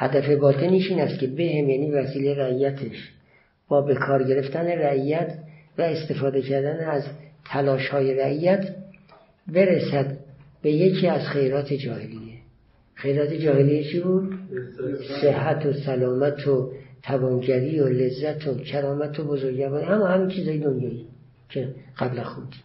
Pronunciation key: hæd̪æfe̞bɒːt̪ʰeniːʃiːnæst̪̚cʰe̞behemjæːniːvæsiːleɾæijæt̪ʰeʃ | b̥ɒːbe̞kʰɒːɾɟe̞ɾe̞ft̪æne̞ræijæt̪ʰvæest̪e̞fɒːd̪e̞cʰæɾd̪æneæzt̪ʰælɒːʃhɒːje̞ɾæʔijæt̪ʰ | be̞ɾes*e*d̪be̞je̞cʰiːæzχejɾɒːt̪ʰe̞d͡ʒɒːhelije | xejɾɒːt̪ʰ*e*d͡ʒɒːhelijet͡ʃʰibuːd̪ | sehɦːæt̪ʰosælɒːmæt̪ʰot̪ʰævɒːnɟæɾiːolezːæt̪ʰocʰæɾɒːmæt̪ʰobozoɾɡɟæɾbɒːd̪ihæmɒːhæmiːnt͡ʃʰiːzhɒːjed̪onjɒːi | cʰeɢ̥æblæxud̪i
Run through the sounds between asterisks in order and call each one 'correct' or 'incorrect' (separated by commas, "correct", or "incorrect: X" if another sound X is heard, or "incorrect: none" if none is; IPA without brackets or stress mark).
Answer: incorrect: æ, correct